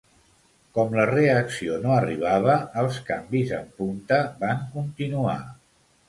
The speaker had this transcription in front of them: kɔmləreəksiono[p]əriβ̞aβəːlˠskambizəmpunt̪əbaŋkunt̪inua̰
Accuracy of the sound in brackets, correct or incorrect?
incorrect